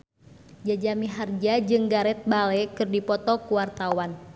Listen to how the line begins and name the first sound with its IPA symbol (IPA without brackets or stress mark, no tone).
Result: d͡ʒ